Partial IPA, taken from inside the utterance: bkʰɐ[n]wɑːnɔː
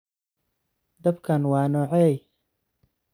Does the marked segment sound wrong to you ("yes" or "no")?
no